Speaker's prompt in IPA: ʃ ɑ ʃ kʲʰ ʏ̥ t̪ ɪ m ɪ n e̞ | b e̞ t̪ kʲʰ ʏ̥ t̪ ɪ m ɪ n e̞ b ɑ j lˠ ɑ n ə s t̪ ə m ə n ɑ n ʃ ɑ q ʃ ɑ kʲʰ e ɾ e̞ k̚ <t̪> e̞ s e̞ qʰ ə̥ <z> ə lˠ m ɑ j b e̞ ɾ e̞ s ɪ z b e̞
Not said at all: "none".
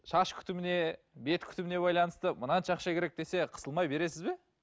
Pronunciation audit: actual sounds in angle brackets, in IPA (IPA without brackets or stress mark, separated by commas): d̪, s